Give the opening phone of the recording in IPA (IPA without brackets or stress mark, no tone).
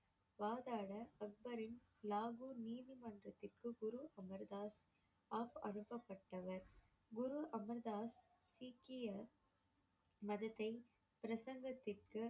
ʋ